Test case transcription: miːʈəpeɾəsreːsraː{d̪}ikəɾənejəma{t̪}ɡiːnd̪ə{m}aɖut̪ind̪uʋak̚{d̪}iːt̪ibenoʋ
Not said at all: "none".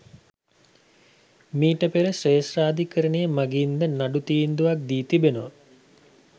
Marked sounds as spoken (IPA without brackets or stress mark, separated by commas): d̪, none, n, d̪